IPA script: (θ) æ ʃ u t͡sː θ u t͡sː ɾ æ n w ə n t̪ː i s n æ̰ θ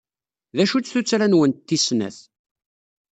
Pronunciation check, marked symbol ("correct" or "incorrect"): incorrect